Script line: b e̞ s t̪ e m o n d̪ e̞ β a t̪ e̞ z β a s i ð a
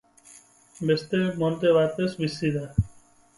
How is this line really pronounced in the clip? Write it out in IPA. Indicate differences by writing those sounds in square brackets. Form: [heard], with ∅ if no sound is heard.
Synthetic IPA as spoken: b e̞ s t̪ e m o n [t̪] e̞ β a t̪ e̞ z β [i] s i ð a